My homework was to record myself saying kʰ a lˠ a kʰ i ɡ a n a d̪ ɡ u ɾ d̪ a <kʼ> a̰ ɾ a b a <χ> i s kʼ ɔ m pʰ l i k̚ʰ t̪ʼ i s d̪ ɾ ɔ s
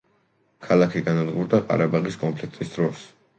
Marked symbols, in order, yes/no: no, no

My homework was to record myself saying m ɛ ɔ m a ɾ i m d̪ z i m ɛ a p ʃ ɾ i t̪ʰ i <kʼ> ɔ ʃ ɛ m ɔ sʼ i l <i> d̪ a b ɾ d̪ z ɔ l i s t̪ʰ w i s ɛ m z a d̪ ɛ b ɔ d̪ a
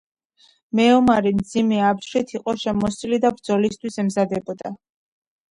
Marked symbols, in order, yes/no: no, yes

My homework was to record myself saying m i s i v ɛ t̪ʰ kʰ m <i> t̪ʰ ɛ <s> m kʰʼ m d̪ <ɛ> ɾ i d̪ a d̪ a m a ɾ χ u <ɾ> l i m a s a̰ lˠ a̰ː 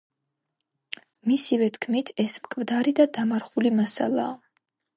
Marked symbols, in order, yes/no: yes, yes, no, no

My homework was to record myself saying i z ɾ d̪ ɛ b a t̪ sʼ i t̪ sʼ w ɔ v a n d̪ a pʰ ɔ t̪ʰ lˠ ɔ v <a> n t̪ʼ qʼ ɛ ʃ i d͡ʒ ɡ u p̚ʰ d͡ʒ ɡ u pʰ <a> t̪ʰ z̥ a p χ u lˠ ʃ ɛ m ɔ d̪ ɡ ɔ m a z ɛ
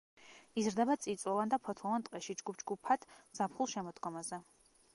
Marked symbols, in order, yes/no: yes, yes

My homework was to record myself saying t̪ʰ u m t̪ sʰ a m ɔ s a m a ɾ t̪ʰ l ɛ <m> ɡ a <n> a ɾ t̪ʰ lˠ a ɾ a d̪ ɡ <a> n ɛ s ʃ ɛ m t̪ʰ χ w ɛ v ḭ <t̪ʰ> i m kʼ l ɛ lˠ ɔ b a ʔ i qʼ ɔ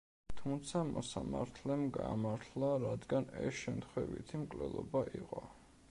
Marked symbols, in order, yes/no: yes, no, yes, yes

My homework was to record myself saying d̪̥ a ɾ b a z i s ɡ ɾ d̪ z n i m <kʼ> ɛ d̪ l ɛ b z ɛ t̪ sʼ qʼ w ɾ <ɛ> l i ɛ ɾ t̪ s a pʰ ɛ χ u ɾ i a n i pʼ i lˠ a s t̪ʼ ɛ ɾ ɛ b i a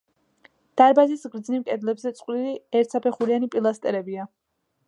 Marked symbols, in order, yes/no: yes, no

